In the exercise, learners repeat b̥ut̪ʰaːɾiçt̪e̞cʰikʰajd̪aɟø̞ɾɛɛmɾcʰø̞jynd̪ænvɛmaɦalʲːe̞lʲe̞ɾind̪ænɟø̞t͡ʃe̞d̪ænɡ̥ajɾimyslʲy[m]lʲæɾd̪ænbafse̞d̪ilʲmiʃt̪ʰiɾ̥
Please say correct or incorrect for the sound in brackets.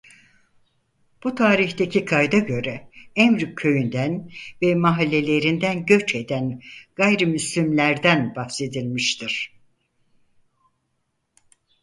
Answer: correct